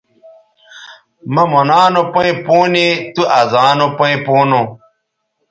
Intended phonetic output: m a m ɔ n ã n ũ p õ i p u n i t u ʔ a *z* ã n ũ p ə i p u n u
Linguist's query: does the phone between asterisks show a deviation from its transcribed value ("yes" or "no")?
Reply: no